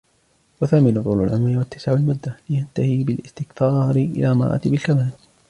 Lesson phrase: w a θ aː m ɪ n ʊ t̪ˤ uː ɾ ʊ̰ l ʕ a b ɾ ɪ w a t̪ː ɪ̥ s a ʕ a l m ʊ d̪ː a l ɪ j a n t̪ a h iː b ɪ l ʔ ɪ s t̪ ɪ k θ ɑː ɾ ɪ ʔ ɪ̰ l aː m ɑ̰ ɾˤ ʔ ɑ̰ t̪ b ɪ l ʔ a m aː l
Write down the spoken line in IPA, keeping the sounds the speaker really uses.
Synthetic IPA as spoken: w a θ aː m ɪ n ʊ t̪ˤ uː l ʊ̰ l ʕ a m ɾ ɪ w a t̪ː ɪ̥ s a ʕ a l m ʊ d̪ː a l ɪ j a n t̪ a h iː b ɪ l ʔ ɪ s t̪ ɪ k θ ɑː ɾ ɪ ʔ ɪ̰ l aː m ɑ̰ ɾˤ ʔ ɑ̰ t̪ b ɪ l k a m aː l